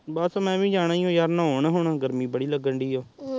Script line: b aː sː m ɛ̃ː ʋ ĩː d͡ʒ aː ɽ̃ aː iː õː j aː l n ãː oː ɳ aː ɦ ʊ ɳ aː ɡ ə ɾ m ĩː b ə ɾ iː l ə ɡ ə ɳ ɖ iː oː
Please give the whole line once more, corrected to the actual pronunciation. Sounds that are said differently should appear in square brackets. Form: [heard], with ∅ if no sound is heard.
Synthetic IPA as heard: b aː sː m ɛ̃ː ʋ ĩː d͡ʒ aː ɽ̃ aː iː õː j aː [ɾ] n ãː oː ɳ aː ɦ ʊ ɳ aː ɡ ə ɾ m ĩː b ə [ɽ] iː l ə ɡ ə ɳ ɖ iː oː